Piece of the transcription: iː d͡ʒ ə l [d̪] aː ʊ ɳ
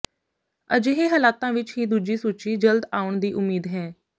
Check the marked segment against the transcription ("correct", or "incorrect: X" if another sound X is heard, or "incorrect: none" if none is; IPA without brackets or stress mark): correct